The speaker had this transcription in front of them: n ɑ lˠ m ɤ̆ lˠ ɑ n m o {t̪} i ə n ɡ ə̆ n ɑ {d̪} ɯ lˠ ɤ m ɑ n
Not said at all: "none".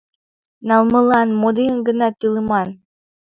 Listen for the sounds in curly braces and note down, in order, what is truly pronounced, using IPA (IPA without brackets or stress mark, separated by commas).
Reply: d̪, t̪